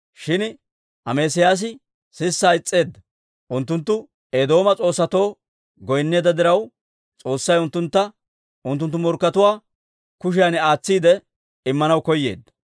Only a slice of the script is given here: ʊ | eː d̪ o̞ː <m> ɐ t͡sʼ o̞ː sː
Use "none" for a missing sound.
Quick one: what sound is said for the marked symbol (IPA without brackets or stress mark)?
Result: m